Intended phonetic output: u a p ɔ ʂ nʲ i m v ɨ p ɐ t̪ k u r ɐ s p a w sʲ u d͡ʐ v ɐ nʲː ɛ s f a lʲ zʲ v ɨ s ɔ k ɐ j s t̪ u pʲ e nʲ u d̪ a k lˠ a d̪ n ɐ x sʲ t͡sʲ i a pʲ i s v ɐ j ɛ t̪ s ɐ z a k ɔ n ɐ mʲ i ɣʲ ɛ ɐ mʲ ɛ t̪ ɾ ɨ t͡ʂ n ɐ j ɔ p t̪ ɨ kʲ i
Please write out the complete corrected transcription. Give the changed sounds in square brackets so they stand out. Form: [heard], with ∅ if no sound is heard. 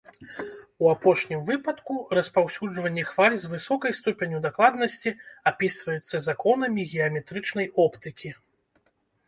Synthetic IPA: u a p ɔ ʂ nʲ i m v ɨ p ɐ t̪ k u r ɐ s p a w sʲ u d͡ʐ v ɐ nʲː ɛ [x] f a lʲ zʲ v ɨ s ɔ k ɐ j s t̪ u pʲ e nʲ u d̪ a k lˠ a d̪ n ɐ [∅] sʲ t͡sʲ i a pʲ i s v ɐ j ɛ t̪ [sː] ɐ z a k ɔ n ɐ mʲ i ɣʲ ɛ ɐ mʲ ɛ t̪ ɾ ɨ t͡ʂ n ɐ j ɔ p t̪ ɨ kʲ i